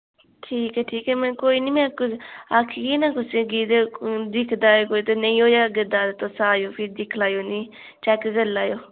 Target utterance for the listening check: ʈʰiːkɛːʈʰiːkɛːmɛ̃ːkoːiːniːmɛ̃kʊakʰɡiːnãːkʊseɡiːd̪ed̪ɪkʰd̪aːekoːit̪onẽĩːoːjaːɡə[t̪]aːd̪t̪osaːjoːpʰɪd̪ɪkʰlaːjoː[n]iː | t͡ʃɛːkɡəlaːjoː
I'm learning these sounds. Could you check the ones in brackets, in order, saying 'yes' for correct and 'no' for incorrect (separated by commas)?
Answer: no, yes